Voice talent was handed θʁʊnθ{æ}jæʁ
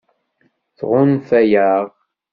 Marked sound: correct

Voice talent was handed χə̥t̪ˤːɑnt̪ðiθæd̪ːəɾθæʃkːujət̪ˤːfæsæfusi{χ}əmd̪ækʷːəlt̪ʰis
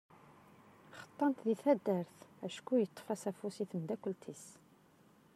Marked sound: incorrect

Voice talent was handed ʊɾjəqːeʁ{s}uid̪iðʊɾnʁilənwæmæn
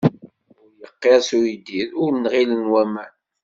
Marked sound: correct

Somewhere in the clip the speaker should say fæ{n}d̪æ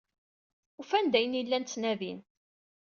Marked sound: correct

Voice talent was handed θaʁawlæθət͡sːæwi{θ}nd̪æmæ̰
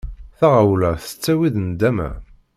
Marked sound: incorrect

